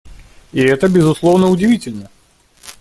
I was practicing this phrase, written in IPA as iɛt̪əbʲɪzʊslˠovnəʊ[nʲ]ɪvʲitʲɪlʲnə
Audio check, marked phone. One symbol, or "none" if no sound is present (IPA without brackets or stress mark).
dʲ